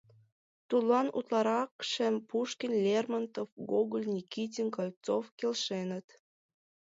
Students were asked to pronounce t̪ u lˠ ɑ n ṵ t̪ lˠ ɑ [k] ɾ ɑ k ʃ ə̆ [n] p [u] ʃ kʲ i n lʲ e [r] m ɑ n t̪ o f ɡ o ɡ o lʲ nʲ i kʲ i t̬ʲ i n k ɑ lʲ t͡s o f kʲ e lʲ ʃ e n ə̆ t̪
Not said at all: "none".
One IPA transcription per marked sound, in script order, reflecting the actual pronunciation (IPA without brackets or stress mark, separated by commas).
none, m, u, r